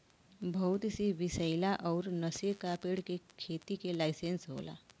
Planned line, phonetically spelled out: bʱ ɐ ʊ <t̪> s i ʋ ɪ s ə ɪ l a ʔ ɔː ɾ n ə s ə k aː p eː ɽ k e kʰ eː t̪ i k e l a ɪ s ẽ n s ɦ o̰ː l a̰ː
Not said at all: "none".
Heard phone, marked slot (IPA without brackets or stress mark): t̪